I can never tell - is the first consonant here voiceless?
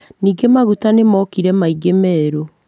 no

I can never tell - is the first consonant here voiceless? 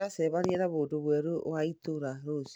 yes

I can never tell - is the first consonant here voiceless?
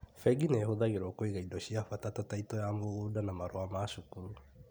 yes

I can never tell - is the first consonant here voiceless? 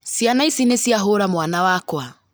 yes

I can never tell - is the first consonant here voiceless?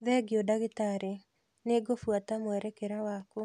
no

